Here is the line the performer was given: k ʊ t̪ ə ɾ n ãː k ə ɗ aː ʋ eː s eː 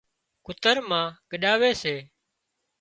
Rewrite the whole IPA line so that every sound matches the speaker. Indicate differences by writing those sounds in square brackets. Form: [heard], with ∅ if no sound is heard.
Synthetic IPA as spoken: k ʊ t̪ ə ɾ [m] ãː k ə ɗ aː ʋ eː s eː